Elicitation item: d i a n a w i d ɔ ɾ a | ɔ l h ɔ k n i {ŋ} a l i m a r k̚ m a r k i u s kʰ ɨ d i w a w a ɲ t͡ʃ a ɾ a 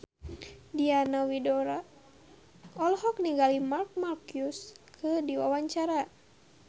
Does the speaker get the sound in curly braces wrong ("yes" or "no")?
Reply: yes